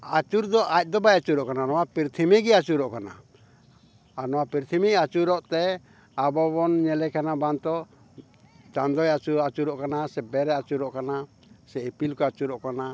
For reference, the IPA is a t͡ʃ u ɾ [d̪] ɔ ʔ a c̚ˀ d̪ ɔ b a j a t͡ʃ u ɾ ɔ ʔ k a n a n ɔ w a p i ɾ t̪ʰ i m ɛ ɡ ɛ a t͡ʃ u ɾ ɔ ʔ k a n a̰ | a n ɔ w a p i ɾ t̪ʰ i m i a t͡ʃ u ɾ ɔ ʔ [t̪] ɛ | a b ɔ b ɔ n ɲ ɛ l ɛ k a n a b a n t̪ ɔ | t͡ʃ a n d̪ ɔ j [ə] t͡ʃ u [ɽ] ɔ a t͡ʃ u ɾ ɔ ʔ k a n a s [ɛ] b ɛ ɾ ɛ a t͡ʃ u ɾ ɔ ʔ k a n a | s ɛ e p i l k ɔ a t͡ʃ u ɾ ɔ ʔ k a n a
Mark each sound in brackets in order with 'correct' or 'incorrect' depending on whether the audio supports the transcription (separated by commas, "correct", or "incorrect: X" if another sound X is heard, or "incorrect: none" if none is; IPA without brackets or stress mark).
correct, correct, incorrect: a, incorrect: ɾ, correct